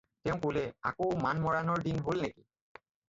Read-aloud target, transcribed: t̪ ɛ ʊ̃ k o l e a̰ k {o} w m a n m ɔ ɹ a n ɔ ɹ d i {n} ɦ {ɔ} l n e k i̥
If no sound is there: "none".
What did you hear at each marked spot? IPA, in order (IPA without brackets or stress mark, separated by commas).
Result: o, n, o